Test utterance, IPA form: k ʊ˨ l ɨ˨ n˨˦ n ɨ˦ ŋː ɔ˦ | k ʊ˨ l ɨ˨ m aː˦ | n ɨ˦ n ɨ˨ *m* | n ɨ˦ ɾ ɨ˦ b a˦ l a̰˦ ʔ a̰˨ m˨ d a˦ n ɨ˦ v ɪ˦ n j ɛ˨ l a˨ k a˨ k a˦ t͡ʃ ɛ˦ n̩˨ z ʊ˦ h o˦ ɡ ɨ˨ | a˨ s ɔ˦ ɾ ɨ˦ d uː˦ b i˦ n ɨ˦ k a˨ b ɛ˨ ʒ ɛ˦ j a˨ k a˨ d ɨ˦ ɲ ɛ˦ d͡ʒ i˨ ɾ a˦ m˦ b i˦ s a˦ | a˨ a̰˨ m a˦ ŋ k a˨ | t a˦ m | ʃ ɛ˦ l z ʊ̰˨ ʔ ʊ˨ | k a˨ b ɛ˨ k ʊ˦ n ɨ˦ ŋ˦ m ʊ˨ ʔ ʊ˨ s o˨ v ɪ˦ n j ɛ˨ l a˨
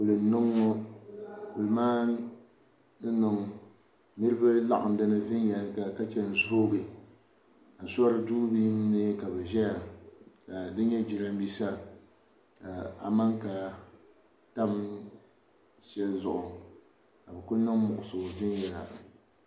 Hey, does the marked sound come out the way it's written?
no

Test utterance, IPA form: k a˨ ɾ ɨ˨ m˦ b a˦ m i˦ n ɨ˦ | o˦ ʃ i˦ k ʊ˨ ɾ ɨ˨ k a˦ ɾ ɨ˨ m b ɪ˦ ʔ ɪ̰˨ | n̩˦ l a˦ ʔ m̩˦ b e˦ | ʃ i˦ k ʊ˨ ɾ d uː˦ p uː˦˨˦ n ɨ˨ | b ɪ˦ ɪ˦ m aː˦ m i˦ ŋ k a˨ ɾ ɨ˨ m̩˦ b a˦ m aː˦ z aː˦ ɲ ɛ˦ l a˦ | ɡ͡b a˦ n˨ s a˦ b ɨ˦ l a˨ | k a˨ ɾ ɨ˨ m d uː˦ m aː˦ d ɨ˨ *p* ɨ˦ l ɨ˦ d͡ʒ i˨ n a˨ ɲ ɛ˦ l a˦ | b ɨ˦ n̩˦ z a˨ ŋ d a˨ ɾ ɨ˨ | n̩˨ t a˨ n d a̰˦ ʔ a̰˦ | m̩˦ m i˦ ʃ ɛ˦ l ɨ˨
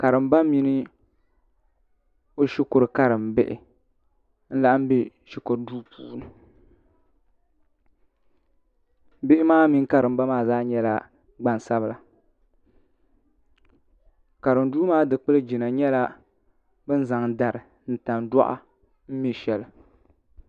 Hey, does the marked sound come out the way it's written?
no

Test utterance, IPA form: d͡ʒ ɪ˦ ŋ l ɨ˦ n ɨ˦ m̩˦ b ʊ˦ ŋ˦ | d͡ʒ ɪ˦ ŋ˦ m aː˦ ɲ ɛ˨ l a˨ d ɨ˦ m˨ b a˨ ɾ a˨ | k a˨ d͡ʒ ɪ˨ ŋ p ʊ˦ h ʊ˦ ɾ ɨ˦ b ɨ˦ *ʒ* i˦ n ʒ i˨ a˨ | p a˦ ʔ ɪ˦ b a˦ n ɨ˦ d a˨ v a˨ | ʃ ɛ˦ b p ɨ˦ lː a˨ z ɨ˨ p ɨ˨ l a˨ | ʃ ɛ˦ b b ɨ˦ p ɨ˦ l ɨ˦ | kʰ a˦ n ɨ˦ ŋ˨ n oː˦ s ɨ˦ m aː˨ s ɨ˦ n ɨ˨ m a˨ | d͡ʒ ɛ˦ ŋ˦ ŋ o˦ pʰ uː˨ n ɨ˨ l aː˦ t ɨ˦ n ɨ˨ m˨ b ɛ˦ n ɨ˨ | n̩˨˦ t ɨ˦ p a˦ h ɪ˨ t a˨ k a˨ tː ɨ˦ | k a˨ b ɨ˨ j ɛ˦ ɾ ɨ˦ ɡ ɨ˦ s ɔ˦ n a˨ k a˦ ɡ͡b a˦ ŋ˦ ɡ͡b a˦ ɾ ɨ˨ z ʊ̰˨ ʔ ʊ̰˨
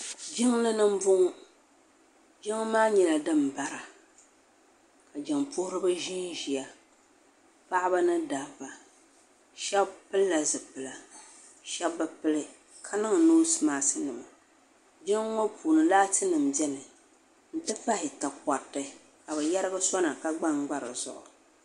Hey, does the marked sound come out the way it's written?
yes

